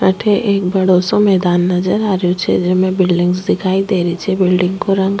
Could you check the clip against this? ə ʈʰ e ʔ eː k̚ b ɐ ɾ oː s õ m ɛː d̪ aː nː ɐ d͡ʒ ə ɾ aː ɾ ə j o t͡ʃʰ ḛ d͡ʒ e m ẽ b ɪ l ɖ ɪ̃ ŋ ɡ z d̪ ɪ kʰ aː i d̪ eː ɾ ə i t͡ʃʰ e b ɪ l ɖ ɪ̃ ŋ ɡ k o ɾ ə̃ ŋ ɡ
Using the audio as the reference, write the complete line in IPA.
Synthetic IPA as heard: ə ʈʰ e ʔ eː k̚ b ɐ ɽ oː s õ m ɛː d̪ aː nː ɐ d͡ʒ ə ɾ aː ɾ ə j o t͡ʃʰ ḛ d͡ʒ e m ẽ b ɪ l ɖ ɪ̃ ŋ ɡ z d̪ ɪ kʰ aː i d̪ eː ɾ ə i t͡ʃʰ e b ɪ l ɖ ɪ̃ ŋ ɡ k o ɾ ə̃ ŋ ɡ